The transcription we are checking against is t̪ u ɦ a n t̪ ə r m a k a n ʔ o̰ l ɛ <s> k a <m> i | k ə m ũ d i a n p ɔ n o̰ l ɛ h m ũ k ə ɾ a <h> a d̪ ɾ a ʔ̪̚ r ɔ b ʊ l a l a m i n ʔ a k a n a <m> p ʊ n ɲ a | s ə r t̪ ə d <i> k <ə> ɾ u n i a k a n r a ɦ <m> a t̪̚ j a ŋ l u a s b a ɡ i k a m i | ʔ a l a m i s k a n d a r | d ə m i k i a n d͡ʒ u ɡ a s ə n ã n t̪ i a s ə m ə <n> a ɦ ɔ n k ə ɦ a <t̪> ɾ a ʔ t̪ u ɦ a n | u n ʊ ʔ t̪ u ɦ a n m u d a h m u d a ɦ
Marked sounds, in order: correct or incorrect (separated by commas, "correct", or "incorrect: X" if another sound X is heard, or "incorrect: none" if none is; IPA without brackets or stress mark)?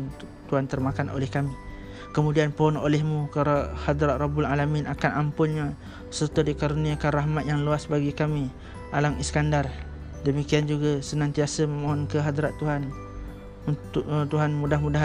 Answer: incorrect: h, correct, correct, correct, correct, incorrect: a, correct, incorrect: m, incorrect: d̪